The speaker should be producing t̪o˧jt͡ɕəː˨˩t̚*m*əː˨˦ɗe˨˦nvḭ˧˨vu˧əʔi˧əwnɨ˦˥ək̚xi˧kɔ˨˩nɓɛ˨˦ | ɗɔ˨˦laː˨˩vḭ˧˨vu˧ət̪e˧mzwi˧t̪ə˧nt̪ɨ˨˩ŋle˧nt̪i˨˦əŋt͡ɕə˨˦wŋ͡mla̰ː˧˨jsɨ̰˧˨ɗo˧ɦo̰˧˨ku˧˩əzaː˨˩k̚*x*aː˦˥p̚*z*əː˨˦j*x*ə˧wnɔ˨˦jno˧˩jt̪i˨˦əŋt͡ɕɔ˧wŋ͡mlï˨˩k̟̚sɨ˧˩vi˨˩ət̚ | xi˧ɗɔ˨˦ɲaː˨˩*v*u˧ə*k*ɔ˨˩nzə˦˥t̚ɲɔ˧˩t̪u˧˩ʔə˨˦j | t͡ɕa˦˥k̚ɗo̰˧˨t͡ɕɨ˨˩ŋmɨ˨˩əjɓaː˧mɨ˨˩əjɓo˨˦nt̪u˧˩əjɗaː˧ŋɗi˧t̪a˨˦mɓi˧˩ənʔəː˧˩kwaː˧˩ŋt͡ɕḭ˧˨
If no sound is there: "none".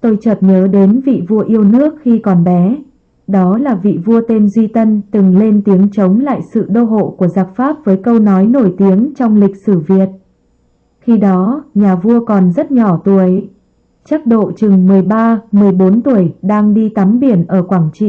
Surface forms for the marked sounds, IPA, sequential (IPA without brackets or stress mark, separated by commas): ɲ, f, v, k, v, k